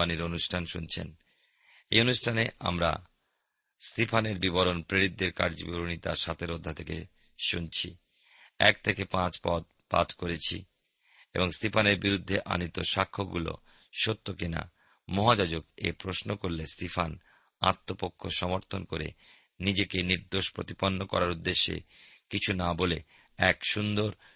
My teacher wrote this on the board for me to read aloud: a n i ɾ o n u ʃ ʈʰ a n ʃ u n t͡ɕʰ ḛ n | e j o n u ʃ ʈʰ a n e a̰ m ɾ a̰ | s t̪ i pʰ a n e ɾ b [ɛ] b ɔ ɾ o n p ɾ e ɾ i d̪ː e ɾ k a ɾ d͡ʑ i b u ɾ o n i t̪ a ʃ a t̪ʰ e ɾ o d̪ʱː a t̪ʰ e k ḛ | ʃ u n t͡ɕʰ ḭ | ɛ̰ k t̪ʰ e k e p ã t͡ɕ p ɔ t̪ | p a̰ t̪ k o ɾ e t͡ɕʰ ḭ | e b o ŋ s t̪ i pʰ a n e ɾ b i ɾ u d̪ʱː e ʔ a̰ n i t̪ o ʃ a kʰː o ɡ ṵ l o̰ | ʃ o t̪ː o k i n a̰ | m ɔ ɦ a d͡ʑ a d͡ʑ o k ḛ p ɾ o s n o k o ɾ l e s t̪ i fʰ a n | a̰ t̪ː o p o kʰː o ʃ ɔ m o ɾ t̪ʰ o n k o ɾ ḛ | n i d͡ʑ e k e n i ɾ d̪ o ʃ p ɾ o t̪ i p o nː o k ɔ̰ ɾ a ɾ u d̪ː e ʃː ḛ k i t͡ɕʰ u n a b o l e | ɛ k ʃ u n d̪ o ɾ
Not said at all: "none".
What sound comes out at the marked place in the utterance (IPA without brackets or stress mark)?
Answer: i